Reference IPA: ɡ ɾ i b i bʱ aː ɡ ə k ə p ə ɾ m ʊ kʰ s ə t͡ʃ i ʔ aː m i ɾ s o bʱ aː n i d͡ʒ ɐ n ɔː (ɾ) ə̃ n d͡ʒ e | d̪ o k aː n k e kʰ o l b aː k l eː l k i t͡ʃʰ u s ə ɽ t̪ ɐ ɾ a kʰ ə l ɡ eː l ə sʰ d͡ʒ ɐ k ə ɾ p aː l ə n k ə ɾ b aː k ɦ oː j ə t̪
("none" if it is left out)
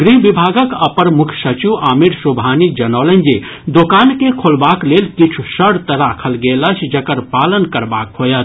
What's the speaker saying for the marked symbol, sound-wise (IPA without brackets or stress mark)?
l